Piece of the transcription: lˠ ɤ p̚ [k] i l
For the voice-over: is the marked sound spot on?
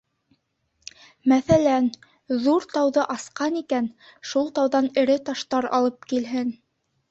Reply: yes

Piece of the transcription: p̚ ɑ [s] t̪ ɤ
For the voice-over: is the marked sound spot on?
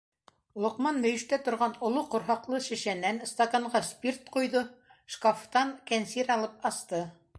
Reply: yes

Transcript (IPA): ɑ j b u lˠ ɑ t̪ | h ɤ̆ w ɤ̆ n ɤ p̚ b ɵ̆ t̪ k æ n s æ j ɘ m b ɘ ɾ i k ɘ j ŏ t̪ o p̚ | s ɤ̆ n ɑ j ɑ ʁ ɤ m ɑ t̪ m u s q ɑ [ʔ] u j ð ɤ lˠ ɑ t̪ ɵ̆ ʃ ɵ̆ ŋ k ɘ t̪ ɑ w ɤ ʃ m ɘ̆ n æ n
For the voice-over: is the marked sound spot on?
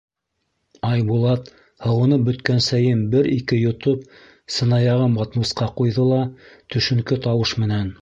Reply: no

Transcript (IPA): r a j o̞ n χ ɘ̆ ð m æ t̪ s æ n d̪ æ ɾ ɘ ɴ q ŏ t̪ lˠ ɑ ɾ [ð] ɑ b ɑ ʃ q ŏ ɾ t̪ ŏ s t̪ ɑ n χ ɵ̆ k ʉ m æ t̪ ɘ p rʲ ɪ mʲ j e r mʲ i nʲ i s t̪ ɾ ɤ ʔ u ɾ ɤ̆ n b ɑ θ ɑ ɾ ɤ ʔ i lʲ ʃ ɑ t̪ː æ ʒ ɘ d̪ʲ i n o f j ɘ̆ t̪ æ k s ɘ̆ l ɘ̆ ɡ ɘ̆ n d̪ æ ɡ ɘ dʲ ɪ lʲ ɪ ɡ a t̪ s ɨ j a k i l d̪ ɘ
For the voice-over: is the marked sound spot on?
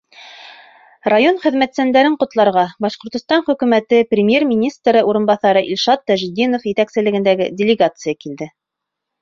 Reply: no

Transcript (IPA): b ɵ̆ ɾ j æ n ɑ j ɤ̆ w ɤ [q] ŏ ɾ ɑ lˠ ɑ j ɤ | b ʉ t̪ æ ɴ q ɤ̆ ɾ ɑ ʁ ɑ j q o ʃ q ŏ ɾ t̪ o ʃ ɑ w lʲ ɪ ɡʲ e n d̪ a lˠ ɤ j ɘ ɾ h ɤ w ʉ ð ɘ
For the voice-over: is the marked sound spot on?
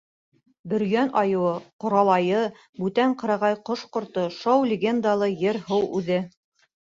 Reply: yes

